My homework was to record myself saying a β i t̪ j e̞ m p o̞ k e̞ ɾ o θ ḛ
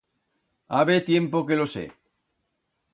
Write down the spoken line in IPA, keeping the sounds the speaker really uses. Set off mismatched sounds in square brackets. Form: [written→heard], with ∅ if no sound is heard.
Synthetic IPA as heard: a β [i→e] t̪ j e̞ m p o̞ k e̞ [ɾ→l] o [θ→s] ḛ